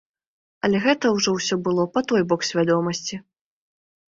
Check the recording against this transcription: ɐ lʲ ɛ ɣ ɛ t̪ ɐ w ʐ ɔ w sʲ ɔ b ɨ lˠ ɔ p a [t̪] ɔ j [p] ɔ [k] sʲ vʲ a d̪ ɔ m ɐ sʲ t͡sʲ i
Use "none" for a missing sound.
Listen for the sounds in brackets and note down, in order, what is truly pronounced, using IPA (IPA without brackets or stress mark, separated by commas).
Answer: t̪, b, k